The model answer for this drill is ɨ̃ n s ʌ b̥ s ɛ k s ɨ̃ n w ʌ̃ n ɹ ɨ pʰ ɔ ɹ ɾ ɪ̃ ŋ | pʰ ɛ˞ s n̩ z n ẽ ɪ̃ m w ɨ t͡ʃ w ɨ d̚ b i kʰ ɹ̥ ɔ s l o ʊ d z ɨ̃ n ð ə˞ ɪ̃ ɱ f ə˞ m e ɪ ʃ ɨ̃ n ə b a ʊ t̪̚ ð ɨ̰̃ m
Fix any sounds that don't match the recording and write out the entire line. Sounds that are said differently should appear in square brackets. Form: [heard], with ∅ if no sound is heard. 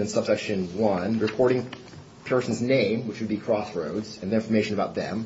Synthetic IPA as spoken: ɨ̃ n s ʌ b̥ s ɛ k [ʃ] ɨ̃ n w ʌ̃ n ɹ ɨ pʰ ɔ ɹ ɾ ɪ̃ ŋ | pʰ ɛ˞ s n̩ z n ẽ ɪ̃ m w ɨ t͡ʃ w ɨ d̚ b i kʰ ɹ̥ ɔ s [ɹ] o ʊ d z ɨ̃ n ð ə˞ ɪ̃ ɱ f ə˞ m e ɪ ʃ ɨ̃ n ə b a ʊ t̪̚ ð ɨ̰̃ m